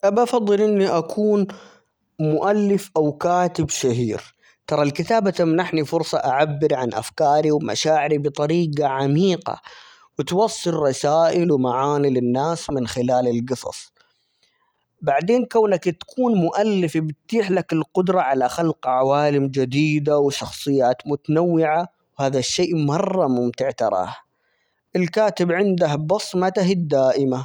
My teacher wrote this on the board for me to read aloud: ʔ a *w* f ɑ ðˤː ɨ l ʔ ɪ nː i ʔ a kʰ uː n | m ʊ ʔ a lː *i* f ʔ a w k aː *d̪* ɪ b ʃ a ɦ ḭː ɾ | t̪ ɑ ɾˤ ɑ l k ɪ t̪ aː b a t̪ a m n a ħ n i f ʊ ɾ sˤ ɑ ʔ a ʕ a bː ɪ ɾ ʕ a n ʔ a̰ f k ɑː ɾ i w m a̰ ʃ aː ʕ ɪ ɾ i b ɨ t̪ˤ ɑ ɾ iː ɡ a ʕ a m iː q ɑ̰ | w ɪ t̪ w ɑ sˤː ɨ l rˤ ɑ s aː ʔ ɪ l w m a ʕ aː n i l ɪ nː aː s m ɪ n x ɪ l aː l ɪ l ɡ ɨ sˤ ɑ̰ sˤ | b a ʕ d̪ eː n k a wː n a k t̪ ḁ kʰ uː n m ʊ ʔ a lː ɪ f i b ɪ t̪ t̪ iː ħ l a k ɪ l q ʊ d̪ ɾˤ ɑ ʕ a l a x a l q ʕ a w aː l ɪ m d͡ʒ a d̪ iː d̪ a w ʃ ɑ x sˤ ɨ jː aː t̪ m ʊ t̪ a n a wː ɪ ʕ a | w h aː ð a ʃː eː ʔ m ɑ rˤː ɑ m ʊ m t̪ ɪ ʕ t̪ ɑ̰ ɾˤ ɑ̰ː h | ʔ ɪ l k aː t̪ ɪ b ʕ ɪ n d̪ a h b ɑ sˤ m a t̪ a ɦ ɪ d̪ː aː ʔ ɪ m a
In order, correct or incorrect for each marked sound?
incorrect, incorrect, incorrect

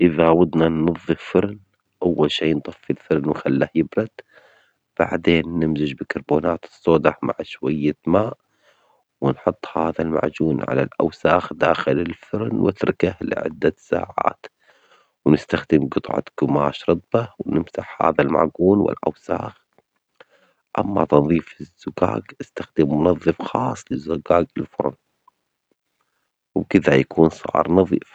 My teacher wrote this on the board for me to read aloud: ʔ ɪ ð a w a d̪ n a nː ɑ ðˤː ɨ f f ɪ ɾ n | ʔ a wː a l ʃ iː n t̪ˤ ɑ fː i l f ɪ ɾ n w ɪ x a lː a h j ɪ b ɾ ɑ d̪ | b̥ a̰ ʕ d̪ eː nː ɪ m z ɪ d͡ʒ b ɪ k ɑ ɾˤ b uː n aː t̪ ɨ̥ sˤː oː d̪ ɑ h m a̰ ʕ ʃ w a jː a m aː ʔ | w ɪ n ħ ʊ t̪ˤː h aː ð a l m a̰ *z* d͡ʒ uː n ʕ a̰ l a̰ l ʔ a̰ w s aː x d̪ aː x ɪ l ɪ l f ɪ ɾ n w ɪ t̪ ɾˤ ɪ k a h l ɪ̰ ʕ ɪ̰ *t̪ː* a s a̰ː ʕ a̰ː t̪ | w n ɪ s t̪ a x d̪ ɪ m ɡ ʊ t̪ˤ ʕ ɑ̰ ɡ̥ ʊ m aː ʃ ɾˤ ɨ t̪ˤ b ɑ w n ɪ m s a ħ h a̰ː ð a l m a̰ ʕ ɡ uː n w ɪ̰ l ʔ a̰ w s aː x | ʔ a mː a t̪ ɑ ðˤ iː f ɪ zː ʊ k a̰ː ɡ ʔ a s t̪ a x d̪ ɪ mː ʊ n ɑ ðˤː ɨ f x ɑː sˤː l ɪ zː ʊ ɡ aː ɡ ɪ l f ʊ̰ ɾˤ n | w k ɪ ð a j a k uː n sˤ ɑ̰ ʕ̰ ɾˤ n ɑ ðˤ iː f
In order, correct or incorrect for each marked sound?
incorrect, incorrect

